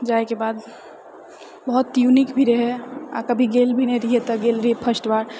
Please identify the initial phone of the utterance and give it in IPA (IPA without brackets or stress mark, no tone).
d͡ʒ